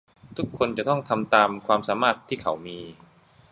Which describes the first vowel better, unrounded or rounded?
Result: rounded